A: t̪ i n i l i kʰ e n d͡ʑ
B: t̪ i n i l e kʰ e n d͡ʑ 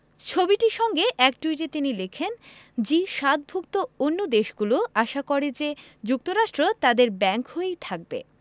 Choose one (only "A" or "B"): B